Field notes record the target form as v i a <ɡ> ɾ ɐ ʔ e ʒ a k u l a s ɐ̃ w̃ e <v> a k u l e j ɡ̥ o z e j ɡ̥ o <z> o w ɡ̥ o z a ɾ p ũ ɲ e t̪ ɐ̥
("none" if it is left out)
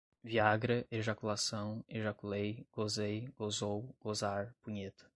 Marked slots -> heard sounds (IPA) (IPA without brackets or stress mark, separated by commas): ɡ, ʒ, z